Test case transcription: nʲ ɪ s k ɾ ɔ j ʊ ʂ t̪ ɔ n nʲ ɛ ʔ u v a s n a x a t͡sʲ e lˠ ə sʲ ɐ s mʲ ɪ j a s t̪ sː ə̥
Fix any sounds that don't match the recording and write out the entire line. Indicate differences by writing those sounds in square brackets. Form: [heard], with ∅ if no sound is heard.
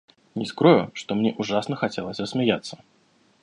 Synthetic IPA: nʲ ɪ s k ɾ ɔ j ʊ ʂ t̪ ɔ [m] nʲ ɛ ʔ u [ʐ] a s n [ə] x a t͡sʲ e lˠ ə sʲ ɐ s mʲ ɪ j a [∅] t̪ sː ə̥